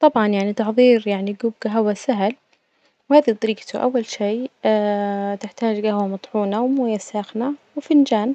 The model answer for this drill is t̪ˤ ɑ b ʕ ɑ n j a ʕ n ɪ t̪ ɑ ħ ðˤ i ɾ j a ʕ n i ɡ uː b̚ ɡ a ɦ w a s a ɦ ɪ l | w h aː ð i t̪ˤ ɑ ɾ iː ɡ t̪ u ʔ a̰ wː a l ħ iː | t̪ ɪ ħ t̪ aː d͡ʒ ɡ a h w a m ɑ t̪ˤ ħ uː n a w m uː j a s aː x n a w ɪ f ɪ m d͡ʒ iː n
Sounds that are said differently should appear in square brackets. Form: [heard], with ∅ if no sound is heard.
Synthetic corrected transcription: t̪ˤ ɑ b ʕ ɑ n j a ʕ n [i] t̪ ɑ ħ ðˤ [iː] ɾ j a ʕ n i ɡ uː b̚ ɡ a ɦ w a s a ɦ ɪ l | w h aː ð i t̪ˤ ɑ ɾ iː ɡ t̪ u ʔ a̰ wː a l [ʃ] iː | t̪ ɪ ħ t̪ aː d͡ʒ ɡ a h w a m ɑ t̪ˤ ħ uː n a w m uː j a s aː x n a w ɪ f ɪ [n] d͡ʒ [aː] n